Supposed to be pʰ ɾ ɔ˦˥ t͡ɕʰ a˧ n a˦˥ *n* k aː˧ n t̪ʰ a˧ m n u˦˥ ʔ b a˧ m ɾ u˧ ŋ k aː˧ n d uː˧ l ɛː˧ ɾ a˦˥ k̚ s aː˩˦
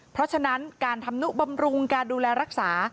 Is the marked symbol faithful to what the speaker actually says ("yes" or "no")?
yes